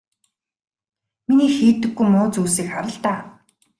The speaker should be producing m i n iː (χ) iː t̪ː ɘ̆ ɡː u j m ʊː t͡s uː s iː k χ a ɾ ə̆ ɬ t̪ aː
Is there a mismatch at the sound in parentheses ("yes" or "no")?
yes